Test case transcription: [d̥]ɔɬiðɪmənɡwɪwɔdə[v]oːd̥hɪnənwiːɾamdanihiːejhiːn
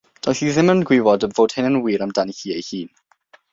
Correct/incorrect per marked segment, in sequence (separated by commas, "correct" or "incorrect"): correct, correct